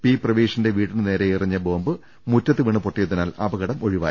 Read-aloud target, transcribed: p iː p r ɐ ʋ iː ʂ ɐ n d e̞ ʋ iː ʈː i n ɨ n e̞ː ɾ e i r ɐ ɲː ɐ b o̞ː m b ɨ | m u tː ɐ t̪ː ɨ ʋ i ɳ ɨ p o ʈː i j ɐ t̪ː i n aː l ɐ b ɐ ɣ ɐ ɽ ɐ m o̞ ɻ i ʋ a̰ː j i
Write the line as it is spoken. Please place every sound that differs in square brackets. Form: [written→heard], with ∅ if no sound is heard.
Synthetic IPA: p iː p r ɐ ʋ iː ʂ ɐ n d e̞ ʋ iː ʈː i n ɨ n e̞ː ɾ e i r ɐ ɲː ɐ b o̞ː m b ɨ | m u tː ɐ t̪ː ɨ ʋ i ɳ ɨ p o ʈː i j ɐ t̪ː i n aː l ɐ b ɐ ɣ ɐ ɽ ɐ m o̞ ɻ i ʋ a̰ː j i